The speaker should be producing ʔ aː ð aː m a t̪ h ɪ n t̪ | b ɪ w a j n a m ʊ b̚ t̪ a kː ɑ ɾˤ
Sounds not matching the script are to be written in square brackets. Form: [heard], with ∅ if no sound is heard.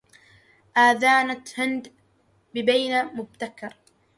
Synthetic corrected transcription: ʔ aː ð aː [n] a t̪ h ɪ n [d̪] | b ɪ [b] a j n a m ʊ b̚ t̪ a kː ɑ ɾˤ